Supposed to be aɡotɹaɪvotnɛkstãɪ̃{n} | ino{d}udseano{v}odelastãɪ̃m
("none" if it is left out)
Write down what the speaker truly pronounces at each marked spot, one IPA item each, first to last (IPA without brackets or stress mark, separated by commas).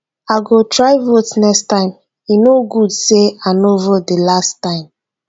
m, ɡ, v